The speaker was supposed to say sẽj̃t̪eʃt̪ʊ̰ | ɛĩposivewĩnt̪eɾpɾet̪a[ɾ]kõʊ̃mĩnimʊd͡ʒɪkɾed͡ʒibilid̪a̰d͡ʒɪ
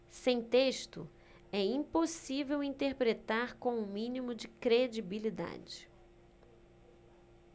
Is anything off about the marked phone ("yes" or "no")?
no